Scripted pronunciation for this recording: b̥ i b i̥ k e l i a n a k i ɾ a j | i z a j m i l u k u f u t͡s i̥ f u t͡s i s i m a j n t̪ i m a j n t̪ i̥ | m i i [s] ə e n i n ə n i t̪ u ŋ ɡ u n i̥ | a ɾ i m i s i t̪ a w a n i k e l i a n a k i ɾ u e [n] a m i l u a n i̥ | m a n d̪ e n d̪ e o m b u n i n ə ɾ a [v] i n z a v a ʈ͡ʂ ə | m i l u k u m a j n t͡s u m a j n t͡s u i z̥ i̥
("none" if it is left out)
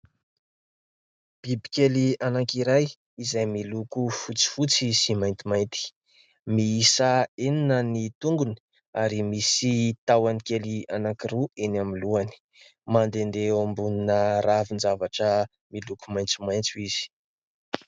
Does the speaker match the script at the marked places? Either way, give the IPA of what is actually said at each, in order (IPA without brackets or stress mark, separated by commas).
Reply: s, n, v